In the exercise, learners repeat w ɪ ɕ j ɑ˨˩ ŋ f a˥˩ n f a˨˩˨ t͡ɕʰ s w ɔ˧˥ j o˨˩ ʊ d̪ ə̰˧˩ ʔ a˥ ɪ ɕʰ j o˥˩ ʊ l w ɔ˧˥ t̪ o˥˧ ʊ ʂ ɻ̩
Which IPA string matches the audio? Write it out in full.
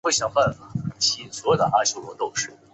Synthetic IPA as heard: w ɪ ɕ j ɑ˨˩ ŋ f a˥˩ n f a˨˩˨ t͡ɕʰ s w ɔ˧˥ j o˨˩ ʊ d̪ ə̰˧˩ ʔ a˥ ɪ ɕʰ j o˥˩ ʊ l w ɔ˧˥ t̪ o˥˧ ʊ ʂ ɻ̩